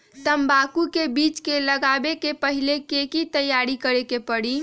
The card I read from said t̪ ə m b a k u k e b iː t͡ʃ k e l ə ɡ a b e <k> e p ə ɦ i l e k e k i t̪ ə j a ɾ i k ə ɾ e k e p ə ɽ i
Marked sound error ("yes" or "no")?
no